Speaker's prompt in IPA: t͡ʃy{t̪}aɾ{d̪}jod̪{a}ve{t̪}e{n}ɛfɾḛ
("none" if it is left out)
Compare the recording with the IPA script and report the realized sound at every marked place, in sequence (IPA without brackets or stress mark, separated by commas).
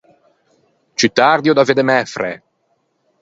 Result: t̪, d̪, a, d̪, m